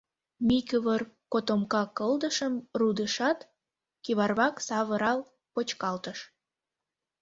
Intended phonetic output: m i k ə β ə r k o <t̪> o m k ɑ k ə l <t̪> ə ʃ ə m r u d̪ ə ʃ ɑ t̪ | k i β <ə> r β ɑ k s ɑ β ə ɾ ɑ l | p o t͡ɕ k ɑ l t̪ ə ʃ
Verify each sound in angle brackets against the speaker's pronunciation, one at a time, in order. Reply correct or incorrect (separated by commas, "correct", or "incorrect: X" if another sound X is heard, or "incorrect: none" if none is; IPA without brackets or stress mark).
correct, incorrect: d̪, incorrect: ɑ